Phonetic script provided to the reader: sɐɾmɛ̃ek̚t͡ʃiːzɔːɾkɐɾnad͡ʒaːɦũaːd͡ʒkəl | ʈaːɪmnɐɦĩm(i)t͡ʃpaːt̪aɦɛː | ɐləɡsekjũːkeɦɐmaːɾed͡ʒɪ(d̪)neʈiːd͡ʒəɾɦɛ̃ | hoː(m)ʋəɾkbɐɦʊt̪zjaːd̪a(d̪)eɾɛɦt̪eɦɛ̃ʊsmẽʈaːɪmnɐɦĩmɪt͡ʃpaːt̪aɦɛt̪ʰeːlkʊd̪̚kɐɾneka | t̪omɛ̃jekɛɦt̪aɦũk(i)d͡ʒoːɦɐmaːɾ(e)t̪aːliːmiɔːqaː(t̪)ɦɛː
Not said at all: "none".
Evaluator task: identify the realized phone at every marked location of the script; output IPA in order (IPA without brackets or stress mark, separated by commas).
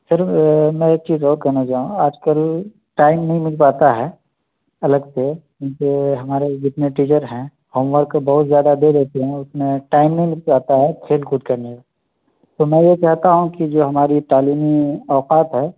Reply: ɪ, t̪, m, d̪, i, i, t̪